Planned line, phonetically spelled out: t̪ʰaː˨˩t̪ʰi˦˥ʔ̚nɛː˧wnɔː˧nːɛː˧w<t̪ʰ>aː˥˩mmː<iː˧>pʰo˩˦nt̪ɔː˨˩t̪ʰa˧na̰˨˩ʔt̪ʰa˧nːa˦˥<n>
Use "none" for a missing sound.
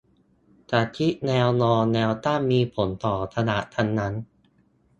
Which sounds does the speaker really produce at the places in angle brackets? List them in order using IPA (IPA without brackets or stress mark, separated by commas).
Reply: t̪, iː˧, n